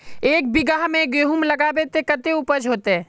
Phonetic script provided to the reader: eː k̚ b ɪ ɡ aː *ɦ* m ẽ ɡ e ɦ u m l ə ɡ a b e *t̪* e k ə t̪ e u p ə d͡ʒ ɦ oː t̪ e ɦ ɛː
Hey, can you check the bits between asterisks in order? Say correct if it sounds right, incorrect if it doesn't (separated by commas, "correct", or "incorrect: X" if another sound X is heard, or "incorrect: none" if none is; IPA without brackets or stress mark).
correct, correct